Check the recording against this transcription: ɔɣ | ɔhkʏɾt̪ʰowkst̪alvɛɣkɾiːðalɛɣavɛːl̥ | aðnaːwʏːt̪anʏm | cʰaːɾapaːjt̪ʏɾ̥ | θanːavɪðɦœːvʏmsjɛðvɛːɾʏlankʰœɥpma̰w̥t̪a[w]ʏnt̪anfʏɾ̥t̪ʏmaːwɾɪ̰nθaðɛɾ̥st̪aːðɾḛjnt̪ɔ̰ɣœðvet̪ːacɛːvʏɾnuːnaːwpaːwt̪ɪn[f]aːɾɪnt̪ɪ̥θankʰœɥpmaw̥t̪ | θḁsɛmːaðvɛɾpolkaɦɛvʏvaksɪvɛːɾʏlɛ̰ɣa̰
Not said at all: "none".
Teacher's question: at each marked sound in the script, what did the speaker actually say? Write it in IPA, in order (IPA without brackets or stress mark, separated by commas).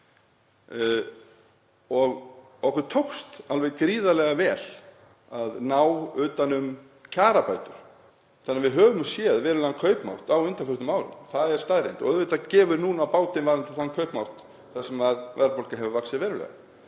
w, v